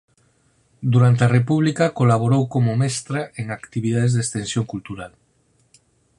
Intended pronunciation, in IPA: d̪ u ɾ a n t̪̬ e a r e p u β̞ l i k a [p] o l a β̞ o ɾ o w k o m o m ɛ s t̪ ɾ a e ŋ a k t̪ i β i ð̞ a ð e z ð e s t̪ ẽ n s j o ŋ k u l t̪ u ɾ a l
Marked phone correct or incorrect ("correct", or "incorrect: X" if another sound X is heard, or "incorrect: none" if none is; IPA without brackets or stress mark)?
incorrect: k